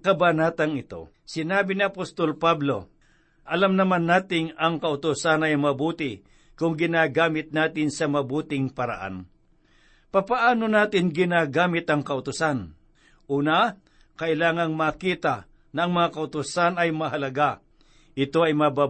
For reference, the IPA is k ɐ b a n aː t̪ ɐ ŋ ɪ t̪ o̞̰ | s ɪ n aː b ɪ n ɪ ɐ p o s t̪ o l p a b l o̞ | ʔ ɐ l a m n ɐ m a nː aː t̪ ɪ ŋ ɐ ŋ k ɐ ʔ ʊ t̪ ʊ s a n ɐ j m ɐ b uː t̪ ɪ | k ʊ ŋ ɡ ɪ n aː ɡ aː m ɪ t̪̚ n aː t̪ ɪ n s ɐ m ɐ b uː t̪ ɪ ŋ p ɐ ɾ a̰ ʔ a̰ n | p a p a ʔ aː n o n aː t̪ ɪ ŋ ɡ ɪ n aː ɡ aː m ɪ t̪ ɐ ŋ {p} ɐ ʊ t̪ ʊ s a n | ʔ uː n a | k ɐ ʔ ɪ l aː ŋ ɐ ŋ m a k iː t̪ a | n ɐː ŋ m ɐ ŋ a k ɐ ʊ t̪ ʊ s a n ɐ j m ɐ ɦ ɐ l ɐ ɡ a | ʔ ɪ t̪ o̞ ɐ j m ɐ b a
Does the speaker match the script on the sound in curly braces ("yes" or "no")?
no